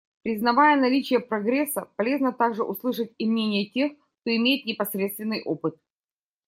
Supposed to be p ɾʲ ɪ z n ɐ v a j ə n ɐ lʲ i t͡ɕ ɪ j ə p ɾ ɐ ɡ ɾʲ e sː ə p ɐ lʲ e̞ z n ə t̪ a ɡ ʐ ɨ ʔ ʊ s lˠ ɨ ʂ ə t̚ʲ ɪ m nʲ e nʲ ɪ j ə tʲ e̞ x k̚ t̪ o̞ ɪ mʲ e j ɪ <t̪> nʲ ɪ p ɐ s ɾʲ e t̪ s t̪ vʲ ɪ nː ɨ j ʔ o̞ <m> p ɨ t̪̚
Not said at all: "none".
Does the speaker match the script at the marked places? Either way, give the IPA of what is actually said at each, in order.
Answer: t̪, none

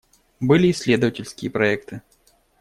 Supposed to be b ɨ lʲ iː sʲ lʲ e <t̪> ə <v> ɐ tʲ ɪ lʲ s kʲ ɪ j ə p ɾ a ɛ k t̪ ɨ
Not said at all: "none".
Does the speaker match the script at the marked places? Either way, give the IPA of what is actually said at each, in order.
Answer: d̪, v

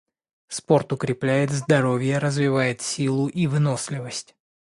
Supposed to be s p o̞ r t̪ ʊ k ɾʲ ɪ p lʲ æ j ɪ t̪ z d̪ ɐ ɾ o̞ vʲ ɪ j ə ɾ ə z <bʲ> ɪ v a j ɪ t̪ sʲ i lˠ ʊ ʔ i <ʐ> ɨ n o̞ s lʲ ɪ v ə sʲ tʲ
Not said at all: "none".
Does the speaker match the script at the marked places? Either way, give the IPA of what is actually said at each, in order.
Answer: vʲ, v

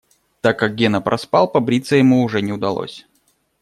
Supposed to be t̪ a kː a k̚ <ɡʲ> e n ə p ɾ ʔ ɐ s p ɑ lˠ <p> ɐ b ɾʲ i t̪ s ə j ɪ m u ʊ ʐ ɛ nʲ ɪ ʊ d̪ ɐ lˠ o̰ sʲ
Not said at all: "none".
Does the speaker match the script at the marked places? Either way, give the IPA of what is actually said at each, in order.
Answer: ɡʲ, p

